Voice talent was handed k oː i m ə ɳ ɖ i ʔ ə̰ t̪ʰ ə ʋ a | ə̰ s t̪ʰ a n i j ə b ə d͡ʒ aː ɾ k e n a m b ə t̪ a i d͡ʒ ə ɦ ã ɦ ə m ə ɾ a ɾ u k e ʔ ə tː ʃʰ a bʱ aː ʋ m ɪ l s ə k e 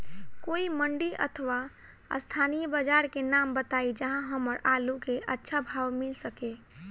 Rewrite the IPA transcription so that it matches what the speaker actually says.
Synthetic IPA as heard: k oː i m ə ɳ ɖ i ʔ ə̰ t̪ʰ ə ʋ a | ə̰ s t̪ʰ a n i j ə b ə d͡ʒ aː ɾ k e n a m b ə t̪ a i d͡ʒ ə ɦ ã ɦ ə m ə ɾ a l u k e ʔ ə tː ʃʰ a bʱ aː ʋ m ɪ l s ə k e